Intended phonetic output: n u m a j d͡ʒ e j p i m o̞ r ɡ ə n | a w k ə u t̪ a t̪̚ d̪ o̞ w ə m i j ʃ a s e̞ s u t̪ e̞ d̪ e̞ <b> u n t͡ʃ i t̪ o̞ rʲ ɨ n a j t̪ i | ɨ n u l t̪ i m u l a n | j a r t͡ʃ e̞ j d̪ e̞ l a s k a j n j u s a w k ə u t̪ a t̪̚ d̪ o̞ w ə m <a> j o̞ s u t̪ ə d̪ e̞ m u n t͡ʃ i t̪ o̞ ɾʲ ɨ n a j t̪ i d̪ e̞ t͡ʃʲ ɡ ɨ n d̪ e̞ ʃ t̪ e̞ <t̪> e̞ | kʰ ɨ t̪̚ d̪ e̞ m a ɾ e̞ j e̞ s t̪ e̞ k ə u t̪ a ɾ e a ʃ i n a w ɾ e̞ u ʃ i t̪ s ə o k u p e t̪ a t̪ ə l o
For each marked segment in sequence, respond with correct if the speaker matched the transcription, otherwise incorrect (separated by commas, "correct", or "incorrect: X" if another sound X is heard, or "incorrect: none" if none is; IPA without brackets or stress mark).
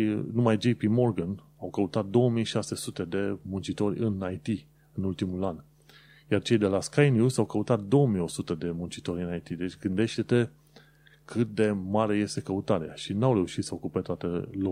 incorrect: m, incorrect: i, correct